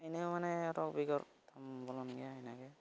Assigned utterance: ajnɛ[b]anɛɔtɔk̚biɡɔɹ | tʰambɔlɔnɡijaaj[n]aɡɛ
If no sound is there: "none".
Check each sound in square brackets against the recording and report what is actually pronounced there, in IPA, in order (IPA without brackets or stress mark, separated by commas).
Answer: m, n